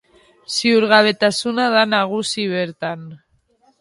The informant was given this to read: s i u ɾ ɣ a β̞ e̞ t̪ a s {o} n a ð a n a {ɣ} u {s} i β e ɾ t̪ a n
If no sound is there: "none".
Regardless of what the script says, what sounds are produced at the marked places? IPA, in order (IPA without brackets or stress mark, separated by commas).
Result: u, ɣ, s